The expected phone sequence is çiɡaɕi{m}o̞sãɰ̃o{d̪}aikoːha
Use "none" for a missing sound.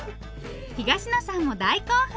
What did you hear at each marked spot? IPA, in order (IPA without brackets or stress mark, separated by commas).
n, d̪